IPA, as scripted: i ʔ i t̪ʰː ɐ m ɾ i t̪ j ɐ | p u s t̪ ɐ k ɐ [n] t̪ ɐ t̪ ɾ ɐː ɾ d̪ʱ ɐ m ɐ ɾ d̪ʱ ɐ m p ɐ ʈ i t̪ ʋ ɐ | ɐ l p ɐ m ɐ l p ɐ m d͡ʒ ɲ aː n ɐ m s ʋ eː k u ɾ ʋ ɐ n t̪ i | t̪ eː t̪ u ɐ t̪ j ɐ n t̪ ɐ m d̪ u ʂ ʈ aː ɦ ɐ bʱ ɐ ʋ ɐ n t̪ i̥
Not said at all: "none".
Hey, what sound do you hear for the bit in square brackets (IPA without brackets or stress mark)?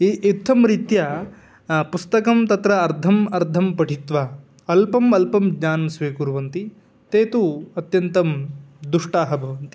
m